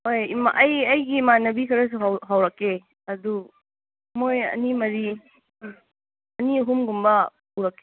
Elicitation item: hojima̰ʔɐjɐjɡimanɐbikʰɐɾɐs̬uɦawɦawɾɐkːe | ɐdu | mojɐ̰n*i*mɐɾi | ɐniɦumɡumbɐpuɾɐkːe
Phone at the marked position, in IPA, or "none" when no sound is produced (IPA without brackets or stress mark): i